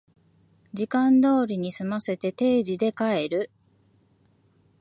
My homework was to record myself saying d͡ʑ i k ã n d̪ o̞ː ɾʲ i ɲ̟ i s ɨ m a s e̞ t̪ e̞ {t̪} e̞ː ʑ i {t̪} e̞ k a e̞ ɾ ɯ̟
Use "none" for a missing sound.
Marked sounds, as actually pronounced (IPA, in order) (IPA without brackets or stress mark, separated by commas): t̪, d̪